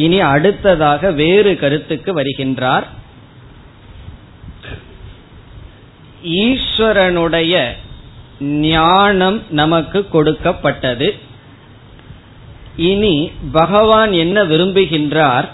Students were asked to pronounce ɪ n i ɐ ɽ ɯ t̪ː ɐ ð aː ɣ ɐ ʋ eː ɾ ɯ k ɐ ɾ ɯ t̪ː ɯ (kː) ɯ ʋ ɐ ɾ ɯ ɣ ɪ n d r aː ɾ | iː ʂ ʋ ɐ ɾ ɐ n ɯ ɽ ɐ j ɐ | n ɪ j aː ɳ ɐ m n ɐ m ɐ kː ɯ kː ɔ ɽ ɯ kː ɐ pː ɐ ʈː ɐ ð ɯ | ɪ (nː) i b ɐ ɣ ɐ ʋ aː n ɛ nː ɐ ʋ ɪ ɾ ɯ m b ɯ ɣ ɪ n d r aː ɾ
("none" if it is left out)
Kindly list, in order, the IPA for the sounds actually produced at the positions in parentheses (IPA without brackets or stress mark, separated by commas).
kː, n